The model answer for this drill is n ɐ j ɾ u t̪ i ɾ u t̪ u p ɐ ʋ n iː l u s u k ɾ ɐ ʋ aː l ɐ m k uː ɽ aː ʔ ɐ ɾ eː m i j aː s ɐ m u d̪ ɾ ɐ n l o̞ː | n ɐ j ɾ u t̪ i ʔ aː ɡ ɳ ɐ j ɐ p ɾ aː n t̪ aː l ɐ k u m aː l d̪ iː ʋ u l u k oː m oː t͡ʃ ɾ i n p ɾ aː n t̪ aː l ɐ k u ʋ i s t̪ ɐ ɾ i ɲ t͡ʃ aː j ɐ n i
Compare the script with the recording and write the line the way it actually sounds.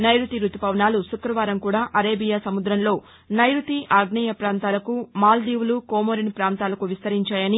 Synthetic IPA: n ɐ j ɾ u t̪ i ɾ u t̪ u p ɐ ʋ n aː l u s u k ɾ ɐ ʋ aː ɾ ɐ m k uː ɽ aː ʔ ɐ ɾ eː b i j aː s ɐ m u d̪ ɾ ɐ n l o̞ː | n ɐ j ɾ u t̪ i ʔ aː ɡ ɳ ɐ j ɐ p ɾ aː n t̪ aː l ɐ k u m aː l d̪ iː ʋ u l u k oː m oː ɾ i n p ɾ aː n t̪ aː l ɐ k u ʋ i s t̪ ɐ ɾ i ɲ t͡ʃ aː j ɐ n i